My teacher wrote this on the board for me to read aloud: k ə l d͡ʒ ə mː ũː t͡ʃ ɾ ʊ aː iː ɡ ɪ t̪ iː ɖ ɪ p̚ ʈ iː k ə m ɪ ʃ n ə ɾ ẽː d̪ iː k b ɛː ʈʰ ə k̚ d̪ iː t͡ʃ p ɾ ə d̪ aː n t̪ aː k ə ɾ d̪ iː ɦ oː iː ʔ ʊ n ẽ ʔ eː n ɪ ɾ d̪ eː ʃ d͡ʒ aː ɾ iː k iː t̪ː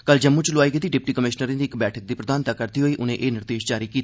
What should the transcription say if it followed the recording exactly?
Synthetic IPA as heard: k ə l d͡ʒ ə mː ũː t͡ʃ l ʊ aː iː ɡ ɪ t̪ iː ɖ ɪ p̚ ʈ iː k ə m ɪ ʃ n ə ɾ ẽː d̪ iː k b ɛː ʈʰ ə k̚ d̪ iː p ɾ ə d̪ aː n t̪ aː k ə ɾ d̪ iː ɦ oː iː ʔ ʊ n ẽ ʔ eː n ɪ ɾ d̪ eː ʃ d͡ʒ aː ɾ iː k iː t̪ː